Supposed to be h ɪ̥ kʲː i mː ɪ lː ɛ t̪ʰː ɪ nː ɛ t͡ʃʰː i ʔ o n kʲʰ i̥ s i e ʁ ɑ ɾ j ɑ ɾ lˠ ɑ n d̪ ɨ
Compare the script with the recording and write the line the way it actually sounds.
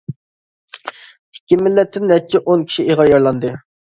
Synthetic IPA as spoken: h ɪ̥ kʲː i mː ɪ lː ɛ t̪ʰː ɪ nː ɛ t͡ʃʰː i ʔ o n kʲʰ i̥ ʃ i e ʁ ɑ ɾ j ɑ ɾ lˠ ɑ n d̪ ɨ